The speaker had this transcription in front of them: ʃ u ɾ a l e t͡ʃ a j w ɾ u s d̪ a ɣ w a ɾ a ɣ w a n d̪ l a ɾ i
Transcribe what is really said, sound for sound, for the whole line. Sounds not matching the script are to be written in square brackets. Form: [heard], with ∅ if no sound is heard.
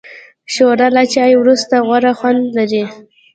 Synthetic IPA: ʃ [o] ɾ a l [a] t͡ʃ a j w ɾ u s [t̪] a ɣ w a ɾ a [x] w a n d̪ l a ɾ i